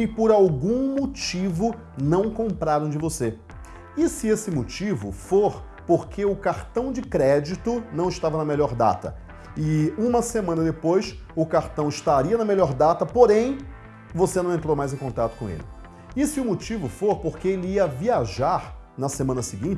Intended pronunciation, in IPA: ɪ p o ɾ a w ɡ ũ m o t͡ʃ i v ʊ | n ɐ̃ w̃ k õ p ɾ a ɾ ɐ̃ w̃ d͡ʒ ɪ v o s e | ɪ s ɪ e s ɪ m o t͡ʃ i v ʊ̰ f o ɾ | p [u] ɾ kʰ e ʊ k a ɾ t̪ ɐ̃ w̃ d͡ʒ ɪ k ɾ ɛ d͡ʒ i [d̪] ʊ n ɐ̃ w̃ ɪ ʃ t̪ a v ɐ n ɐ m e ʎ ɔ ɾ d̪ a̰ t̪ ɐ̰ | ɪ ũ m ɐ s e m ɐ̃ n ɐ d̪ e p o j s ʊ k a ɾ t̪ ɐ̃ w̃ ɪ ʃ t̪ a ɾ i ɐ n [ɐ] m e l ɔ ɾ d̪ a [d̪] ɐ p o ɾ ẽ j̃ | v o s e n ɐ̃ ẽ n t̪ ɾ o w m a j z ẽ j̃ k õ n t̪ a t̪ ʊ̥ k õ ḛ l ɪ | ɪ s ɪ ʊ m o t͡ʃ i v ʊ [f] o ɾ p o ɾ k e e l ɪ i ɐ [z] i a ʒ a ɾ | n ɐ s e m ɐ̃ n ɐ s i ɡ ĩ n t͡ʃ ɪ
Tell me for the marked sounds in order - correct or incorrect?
incorrect, incorrect, correct, incorrect, correct, incorrect

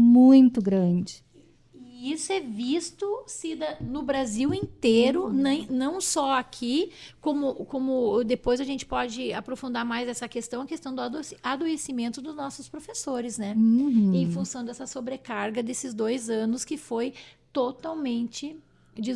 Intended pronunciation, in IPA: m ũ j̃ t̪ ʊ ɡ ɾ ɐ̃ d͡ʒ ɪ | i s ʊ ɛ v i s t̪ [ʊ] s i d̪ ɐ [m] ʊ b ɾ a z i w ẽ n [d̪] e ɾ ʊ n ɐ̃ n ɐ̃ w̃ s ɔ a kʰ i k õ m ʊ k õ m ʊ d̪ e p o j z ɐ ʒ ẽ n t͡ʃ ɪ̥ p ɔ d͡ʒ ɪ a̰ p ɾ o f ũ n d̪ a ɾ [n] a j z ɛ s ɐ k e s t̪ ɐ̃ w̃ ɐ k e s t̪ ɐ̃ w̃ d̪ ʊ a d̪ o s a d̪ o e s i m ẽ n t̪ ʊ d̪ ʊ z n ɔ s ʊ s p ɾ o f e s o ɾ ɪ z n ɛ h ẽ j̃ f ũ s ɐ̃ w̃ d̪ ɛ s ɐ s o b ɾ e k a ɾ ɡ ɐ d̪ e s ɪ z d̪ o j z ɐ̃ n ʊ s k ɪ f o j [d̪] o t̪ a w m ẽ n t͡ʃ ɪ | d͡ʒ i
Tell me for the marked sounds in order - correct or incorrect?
correct, incorrect, incorrect, incorrect, incorrect

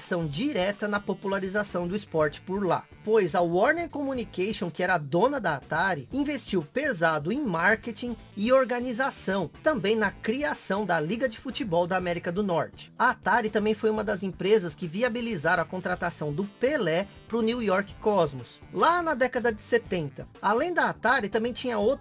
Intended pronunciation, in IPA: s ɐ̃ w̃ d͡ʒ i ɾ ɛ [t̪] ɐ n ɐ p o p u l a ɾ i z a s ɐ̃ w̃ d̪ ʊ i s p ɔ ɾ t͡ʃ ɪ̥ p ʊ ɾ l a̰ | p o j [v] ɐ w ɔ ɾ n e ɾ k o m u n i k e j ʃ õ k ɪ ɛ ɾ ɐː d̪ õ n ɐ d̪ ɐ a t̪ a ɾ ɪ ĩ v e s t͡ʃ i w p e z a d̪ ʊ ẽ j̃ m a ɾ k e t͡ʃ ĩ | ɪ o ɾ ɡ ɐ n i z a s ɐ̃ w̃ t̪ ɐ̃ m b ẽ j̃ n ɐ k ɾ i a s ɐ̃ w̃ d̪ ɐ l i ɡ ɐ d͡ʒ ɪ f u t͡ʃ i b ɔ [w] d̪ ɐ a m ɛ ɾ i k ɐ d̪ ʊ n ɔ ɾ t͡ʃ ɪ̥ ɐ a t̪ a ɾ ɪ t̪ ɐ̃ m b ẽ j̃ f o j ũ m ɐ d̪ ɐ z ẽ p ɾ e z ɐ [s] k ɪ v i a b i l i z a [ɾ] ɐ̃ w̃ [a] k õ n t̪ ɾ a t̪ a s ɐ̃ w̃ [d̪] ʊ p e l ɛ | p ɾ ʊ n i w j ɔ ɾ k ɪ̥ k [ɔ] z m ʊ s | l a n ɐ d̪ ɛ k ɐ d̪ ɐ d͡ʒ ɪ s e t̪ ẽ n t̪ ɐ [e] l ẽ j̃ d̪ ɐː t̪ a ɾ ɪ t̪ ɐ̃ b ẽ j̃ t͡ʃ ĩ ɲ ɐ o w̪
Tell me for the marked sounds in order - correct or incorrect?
correct, incorrect, correct, correct, correct, incorrect, correct, correct, incorrect

